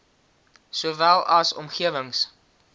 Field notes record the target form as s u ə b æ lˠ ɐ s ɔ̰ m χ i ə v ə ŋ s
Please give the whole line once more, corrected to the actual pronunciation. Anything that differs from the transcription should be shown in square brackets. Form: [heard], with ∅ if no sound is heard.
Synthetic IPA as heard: s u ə [v] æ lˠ ɐ s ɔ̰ m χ i ə v ə ŋ s